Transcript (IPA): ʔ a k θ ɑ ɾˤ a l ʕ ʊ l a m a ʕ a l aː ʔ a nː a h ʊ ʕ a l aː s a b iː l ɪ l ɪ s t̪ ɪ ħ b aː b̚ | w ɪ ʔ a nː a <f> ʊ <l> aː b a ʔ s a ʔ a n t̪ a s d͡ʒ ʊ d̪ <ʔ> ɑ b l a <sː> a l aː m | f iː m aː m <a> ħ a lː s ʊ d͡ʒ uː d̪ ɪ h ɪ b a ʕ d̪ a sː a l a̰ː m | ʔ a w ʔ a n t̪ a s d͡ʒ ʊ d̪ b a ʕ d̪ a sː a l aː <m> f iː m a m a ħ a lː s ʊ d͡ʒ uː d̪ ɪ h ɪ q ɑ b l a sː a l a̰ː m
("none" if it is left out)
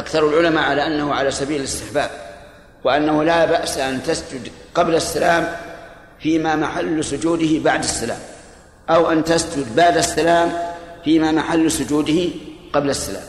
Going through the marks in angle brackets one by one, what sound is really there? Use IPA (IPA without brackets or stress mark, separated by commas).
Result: h, l, q, sː, a, m